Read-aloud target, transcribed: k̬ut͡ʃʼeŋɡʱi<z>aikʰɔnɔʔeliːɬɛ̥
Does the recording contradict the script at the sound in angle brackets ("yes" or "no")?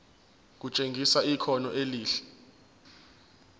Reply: yes